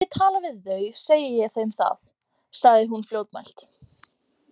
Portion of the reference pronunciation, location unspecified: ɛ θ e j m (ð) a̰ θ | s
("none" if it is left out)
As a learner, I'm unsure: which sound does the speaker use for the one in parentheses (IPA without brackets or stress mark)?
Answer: θ